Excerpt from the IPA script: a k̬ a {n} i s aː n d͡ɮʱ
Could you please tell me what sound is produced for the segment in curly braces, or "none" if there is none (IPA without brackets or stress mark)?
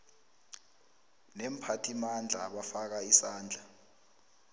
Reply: none